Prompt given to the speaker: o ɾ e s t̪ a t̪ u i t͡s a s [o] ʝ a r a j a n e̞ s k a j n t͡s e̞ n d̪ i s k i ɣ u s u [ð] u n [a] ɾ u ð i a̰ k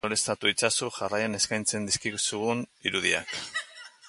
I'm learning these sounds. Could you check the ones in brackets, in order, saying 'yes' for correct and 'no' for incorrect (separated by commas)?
no, no, no